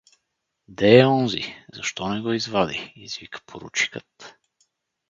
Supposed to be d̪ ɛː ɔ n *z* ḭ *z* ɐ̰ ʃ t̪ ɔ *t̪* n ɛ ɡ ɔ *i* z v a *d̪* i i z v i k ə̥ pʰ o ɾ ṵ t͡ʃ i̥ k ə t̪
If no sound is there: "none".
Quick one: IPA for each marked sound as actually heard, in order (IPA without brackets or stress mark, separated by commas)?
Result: z, z, none, i, d̪